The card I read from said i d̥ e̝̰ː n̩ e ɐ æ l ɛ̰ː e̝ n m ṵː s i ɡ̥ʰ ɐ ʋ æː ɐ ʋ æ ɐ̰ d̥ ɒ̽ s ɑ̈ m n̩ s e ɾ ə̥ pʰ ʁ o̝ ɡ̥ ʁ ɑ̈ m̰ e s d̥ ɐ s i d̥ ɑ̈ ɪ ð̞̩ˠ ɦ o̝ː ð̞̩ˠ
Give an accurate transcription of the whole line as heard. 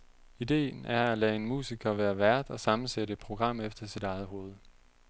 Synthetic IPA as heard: i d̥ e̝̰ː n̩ æ ɐ æ l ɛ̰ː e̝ n m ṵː s i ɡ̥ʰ ɐ ʋ æː ɐ ʋ æ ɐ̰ d̥ ɒ̽ s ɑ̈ m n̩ s e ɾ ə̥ pʰ ʁ o̝ ɡ̥ ʁ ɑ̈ m̰ e f d̥ ɐ s i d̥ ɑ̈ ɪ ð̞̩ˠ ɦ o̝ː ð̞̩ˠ

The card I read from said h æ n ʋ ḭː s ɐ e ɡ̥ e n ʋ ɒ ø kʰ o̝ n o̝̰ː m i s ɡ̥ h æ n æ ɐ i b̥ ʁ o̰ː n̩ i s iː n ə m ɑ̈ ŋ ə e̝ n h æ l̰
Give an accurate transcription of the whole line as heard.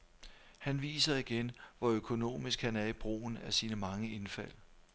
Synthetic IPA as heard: h æ n ʋ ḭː s ɐ i ɡ̥ e n ʋ ɒ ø kʰ o̝ n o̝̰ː m i s ɡ̥ h æ n æ ɐ i b̥ ʁ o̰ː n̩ æ s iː n ə m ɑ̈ ŋ ə e̝ n f æ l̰

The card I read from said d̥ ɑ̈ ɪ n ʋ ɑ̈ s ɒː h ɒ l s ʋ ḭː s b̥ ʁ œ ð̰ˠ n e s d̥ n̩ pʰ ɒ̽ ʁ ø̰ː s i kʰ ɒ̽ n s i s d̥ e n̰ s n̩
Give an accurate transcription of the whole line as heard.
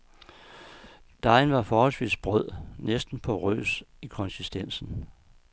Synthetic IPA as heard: d̥ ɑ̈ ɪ n ʋ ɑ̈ f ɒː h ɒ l s ʋ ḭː s b̥ ʁ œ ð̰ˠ n e s d̥ n̩ pʰ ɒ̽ ʁ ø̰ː s i kʰ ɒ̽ n s i s d̥ e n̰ s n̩

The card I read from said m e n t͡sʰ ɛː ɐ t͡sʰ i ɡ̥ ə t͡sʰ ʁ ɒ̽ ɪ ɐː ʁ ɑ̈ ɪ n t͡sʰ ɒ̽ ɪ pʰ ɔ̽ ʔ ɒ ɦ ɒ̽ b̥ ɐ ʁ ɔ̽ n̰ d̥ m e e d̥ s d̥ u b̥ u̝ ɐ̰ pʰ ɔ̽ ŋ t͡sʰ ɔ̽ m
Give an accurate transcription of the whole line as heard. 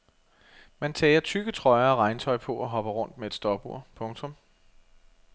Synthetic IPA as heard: m æ n t͡sʰ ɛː ɐ t͡sʰ y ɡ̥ ə t͡sʰ ʁ ɒ̽ ɪ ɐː ʁ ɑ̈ ɪ n t͡sʰ ɒ̽ ɪ pʰ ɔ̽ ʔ ɒ ɦ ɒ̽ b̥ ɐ ʁ ɔ̽ n̰ d̥ m e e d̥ s d̥ ɒ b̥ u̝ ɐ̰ pʰ ɔ̽ ŋ t͡sʰ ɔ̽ m

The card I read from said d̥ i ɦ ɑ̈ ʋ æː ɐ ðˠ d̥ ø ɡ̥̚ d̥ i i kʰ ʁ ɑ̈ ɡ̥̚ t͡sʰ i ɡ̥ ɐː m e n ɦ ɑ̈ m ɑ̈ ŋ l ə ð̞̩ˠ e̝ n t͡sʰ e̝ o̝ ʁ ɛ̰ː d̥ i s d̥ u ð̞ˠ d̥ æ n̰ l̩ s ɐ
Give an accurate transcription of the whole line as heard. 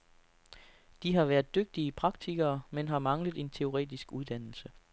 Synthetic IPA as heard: d̥ i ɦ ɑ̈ ʋ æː ɐ ðˠ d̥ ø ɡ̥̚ d̥ i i pʰ ʁ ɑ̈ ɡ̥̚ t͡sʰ i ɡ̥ ɐː m e n ɦ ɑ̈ m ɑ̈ ŋ l ə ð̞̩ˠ e̝ n t͡sʰ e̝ o̝ ʁ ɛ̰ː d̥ i s ɡ̥ u ð̞ˠ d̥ æ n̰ l̩ s ə

